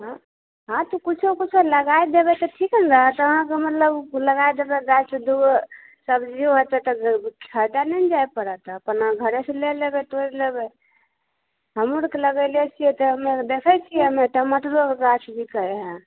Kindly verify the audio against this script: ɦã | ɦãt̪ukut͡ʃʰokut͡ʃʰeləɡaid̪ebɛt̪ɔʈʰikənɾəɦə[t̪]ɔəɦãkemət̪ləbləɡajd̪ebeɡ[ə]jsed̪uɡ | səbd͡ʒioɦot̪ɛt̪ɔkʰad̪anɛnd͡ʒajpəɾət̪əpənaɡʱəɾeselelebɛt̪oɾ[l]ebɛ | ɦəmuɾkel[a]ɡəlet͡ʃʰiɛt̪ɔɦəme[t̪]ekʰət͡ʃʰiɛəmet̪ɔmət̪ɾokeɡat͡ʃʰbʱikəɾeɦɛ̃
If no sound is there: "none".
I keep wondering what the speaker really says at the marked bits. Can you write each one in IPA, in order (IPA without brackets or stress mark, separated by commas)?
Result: t̪, a, l, ə, d̪